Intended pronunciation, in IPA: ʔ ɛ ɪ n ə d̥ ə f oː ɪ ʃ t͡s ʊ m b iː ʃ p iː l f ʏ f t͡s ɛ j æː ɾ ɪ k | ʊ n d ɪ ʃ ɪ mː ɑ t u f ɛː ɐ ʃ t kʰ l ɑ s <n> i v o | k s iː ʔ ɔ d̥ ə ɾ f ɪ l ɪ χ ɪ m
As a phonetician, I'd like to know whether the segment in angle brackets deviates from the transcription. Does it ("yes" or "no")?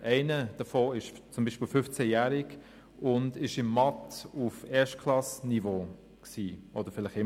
no